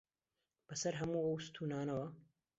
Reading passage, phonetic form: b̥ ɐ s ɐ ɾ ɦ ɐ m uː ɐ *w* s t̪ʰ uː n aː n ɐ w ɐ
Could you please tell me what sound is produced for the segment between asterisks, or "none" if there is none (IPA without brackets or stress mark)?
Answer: w